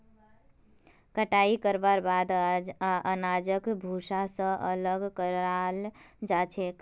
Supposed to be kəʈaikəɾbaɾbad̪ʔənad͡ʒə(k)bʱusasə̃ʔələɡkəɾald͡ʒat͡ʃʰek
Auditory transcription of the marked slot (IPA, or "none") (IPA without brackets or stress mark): k